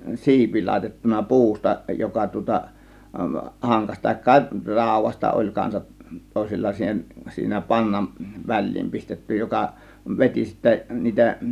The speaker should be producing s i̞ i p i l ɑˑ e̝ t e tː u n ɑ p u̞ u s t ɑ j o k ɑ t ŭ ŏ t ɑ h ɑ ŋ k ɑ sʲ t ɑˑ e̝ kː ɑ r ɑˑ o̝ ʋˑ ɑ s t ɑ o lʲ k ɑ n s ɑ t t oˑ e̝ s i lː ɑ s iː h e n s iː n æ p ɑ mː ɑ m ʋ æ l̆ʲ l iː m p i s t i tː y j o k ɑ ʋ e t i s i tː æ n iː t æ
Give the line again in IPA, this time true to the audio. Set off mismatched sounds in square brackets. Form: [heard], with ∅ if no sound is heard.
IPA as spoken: s i̞ i p i l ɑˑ e̝ t e tː u n ɑ p u̞ u s t ɑ j o k ɑ t ŭ ŏ t ɑ h ɑ ŋ k ɑ sʲ t ɑˑ e̝ kː ɑ r ɑˑ o̝ ʋˑ ɑ s t ɑ o lʲ k ɑ n s ɑ t t oˑ e̝ s i lː ɑ s iː h e n s iː n æ p ɑ [ŋː] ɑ m ʋ æ l̆ʲ l iː m p i s t [e] tː y j o k ɑ ʋ e t i s i tː æ n iː t æ